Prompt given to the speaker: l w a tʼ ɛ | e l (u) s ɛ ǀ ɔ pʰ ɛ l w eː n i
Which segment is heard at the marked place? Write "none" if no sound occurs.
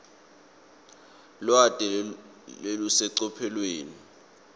u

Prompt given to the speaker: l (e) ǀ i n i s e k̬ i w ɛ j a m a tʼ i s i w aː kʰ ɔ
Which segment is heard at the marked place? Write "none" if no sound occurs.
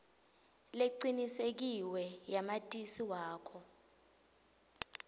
e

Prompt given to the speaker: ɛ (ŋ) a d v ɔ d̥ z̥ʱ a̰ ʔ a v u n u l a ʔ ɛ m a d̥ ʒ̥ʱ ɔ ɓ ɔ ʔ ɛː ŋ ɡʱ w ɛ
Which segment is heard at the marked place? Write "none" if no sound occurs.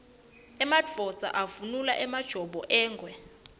m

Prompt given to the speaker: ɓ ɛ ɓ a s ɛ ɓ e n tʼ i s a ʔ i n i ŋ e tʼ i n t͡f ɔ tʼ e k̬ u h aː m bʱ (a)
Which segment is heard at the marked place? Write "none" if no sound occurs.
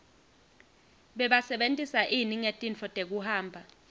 a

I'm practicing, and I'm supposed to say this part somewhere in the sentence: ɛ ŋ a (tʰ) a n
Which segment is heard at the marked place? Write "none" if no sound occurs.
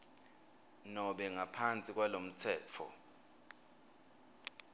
pʰ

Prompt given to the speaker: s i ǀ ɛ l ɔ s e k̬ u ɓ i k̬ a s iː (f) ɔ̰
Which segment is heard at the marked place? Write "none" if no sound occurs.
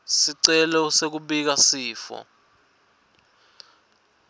f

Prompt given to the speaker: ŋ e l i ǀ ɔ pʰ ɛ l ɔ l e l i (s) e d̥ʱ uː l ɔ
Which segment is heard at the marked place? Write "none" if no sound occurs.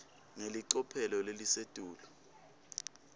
s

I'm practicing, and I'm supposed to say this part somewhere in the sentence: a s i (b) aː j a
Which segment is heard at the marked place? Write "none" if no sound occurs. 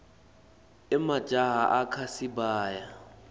b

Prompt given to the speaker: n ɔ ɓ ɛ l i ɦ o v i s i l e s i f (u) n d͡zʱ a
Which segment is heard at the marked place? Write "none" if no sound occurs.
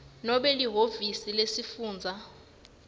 uː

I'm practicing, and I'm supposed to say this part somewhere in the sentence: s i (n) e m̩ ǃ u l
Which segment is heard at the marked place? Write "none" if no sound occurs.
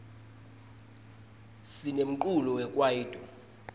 n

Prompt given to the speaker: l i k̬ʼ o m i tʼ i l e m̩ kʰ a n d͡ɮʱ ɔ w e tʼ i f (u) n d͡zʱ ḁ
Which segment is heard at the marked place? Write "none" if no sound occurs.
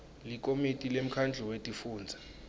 uː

